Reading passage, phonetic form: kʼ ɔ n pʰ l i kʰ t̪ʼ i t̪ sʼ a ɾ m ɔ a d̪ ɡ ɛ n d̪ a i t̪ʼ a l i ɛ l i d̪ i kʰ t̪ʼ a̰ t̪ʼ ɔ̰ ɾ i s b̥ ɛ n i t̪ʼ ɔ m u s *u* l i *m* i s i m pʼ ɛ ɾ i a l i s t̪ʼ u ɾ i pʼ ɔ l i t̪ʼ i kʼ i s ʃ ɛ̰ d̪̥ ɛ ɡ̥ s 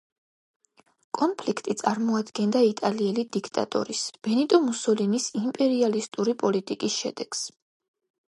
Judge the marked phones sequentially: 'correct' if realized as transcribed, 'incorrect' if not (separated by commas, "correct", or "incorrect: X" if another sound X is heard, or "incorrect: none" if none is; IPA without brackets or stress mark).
incorrect: ɔ, incorrect: n